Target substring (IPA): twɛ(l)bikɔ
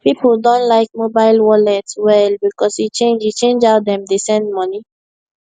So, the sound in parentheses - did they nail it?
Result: yes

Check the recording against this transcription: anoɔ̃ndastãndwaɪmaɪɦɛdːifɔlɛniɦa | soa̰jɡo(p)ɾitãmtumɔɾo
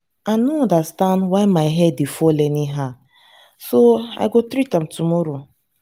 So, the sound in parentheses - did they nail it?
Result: no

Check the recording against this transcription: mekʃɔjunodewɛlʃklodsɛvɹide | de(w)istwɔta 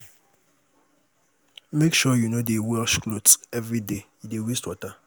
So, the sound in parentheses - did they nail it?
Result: yes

